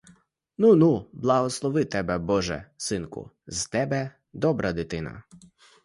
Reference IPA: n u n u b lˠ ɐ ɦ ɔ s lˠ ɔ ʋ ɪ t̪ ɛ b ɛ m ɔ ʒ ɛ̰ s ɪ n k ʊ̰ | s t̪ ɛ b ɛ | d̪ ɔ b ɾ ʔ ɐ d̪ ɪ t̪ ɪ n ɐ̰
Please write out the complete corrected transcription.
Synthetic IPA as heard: n u n u b lˠ ɐ ɦ ɔ s lˠ ɔ ʋ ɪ t̪ ɛ b ɛ b ɔ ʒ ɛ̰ s ɪ n k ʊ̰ | z t̪ ɛ b ɛ | d̪ ɔ b ɾ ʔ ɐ d̪ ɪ t̪ ɪ n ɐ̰

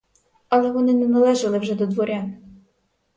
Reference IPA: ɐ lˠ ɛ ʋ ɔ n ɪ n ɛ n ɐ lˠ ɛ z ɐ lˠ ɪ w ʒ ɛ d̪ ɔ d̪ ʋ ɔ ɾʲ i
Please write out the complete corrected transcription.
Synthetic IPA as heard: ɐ lˠ ɛ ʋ ɔ n ɪ n ɛ n ɐ lˠ ɛ ʒ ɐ lˠ ɪ w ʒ ɛ d̪ ɔ d̪ ʋ ɔ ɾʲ a

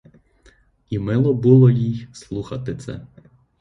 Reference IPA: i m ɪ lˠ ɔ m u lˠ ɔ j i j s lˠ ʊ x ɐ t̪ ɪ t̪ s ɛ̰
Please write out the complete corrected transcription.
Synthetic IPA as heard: i m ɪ lˠ ɔ b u lˠ ɔ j i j s lˠ u x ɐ t̪ ɪ t̪ s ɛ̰

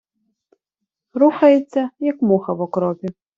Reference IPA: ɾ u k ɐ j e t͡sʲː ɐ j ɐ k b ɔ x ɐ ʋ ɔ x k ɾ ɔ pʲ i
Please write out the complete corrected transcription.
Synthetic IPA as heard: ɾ u x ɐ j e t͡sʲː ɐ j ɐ k m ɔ x ɐ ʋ ɔ k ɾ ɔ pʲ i

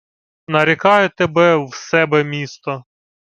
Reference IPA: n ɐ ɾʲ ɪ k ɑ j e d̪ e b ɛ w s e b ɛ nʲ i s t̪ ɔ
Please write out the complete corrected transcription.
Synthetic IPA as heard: n ɐ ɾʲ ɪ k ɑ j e t̪ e b ɛ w s ɛ b ɛ mʲ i s t̪ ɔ

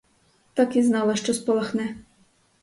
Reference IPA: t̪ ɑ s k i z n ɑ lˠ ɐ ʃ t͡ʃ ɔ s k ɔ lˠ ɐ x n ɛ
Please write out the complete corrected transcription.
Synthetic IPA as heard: t̪ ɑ k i z n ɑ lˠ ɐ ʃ t͡ʃ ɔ s p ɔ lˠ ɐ x n ɛ

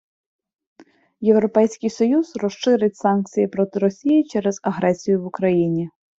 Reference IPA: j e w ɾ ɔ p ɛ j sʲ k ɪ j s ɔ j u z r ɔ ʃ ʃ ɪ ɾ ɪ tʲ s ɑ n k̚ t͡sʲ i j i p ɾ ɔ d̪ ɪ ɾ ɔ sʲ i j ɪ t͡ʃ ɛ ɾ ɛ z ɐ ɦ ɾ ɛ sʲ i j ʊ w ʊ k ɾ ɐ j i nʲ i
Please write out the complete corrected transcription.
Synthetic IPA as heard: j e w ɾ ɔ p ɛ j sʲ k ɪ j s ɔ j u z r ɔ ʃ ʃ ɪ ɾ ɪ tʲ s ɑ n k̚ t͡sʲ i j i p ɾ ɔ t̪ ɪ ɾ ɔ sʲ i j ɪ t͡ʃ ɛ ɾ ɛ z ɐ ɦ ɾ ɛ sʲ i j ʊ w ʊ k ɾ ɐ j i nʲ i

